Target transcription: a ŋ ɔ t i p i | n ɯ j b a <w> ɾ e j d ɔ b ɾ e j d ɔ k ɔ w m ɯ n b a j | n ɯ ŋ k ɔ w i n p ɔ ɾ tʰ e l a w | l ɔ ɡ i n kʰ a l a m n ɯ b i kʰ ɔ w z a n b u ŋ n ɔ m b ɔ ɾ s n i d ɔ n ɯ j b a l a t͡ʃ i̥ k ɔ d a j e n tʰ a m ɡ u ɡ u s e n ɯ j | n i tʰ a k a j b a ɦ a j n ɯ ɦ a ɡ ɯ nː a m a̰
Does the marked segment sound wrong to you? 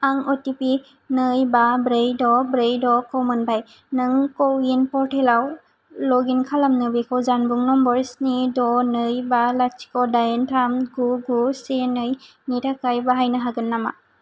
yes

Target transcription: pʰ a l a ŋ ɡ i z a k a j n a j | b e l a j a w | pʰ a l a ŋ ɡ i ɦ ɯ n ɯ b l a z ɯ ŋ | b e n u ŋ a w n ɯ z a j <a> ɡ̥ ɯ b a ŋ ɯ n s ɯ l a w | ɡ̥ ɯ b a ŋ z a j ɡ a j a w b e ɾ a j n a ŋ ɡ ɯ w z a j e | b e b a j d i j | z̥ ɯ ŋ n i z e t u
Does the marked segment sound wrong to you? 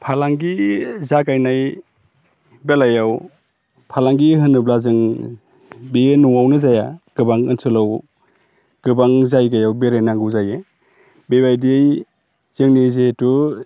no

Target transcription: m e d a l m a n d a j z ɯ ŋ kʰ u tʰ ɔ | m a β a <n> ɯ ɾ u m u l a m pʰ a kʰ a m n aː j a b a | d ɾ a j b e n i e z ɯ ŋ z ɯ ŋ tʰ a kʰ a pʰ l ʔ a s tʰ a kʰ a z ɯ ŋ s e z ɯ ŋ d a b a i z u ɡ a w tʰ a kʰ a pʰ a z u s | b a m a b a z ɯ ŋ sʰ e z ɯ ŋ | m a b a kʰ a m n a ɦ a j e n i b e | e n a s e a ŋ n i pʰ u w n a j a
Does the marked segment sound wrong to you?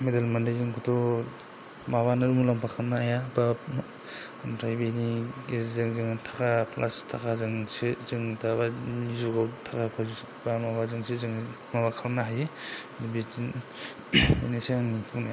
no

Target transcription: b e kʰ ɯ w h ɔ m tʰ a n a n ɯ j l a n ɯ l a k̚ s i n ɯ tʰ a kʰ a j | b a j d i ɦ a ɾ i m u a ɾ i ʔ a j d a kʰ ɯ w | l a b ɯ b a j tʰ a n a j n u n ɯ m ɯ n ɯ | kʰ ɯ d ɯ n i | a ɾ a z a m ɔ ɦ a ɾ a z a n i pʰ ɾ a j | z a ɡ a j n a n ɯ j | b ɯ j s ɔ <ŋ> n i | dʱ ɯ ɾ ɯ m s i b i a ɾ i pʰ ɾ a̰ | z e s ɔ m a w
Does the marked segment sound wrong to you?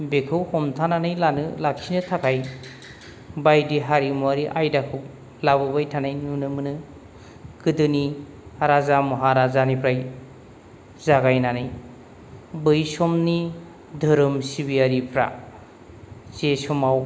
yes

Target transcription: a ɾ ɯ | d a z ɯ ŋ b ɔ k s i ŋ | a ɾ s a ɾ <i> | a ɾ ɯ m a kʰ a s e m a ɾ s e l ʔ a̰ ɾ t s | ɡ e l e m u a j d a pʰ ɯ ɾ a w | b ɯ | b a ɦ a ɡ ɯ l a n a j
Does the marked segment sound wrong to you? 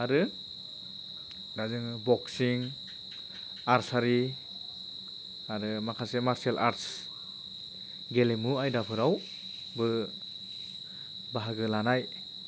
no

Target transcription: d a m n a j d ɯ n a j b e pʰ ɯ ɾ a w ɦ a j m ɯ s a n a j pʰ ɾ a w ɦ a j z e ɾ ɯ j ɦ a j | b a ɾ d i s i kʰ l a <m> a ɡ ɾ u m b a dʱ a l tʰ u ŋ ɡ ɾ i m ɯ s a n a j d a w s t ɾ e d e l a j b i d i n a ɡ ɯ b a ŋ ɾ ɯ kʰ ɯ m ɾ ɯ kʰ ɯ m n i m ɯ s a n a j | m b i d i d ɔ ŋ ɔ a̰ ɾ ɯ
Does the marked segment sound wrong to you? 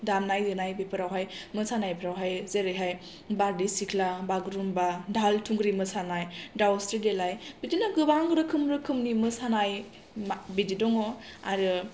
yes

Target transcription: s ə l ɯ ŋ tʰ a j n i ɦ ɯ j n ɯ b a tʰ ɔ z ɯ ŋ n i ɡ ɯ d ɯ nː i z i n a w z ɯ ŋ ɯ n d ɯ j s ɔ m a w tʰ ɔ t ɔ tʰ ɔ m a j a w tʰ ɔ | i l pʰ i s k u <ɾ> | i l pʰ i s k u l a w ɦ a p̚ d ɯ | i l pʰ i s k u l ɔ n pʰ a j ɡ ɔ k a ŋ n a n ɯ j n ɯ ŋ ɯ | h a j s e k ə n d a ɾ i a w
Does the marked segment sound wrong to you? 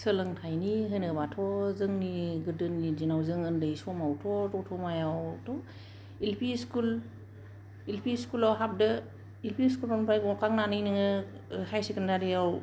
yes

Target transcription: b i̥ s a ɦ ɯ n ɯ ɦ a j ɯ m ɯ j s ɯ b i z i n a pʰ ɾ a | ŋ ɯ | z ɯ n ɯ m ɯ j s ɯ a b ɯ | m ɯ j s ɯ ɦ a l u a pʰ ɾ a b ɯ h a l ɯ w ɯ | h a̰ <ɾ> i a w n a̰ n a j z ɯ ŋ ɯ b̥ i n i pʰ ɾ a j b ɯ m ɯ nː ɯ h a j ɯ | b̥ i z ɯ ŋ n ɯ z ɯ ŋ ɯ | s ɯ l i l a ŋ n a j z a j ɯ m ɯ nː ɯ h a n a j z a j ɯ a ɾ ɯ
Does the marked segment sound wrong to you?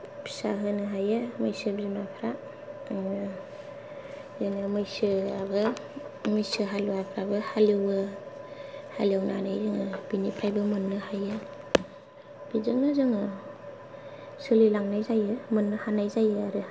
yes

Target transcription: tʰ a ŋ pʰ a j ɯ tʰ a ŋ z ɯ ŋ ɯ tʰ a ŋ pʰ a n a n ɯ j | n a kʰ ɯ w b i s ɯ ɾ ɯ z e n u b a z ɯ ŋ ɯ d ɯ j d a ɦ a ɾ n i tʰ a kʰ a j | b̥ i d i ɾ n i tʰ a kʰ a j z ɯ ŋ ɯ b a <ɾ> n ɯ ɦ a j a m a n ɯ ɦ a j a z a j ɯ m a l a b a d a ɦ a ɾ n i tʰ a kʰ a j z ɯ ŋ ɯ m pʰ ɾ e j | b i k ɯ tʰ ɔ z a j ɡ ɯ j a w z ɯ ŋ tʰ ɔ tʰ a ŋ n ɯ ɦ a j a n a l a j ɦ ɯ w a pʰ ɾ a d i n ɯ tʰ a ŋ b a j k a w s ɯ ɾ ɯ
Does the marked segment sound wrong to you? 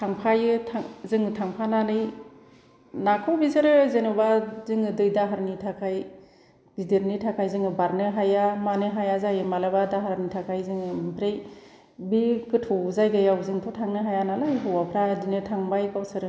no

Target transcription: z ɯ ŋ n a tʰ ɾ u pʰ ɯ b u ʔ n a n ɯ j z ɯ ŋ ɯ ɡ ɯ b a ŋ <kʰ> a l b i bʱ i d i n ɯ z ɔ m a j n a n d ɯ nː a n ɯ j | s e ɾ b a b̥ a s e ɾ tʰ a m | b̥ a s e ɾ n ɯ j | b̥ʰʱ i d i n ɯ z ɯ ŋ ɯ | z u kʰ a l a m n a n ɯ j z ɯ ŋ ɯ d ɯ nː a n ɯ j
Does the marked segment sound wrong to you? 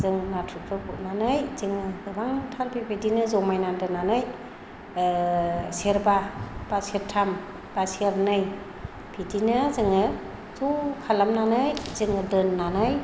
yes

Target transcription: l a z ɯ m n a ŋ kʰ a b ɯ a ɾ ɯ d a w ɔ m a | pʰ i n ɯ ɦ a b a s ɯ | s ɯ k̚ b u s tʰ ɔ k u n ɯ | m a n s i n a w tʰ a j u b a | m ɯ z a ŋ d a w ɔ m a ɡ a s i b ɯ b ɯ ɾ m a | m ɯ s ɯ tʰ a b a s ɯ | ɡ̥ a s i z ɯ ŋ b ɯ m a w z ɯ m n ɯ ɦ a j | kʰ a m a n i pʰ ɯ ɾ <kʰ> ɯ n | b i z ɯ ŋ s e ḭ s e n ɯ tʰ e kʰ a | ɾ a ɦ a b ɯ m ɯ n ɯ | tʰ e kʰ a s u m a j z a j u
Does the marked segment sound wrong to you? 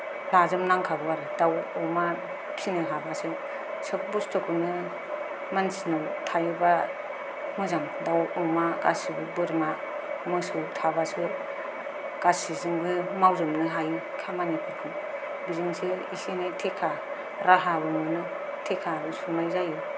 no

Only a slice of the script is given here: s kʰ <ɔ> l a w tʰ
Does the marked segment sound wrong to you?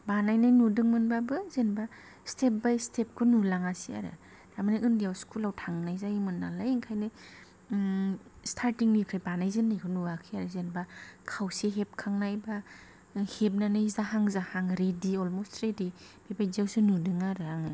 yes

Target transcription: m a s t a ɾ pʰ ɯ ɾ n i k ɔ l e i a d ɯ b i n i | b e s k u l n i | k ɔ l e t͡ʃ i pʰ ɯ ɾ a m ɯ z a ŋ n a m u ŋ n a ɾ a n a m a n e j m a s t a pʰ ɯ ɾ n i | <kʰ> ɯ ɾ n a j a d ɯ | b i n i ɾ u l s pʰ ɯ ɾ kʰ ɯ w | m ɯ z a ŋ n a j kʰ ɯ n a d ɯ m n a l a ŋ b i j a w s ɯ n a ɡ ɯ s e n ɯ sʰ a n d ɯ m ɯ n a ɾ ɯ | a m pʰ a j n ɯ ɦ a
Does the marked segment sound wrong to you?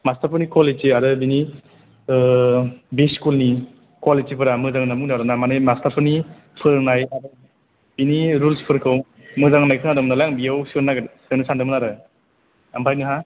yes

